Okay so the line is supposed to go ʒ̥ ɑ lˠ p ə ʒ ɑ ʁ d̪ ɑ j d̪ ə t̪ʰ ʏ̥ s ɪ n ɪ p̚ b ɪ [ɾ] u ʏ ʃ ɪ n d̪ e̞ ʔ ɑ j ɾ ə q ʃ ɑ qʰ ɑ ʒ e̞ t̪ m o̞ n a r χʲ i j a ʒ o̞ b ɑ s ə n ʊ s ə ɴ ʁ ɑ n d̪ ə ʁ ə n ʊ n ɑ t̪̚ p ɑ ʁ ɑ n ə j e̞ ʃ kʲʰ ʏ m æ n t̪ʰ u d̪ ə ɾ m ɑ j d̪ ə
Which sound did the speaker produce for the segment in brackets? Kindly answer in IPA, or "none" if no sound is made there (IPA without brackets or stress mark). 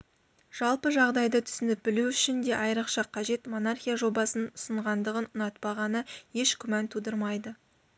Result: l